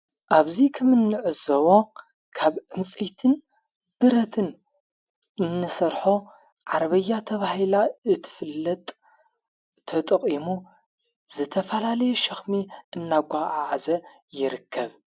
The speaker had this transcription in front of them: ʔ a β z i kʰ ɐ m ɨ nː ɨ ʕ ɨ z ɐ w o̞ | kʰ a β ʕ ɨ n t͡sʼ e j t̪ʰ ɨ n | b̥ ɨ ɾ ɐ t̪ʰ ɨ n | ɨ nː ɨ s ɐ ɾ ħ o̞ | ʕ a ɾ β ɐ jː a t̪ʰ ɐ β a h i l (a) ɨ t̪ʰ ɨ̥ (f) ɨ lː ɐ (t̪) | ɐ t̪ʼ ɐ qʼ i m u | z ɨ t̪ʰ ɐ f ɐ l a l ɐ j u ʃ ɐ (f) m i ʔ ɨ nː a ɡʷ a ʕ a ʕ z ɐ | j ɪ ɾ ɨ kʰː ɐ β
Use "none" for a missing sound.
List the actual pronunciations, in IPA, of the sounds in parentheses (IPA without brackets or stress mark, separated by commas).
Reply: a, f, t̪ʼ, x